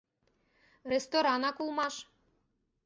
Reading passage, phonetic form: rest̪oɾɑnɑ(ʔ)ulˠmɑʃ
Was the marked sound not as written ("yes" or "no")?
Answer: yes